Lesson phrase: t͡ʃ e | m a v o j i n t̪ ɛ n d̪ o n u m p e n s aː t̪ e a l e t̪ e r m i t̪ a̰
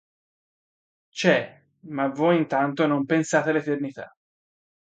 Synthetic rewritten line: t͡ʃ ɛ | m a v o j i n t̪ a n t̪ o n o m p e n s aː t̪ e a l e t̪ e r n i t̪ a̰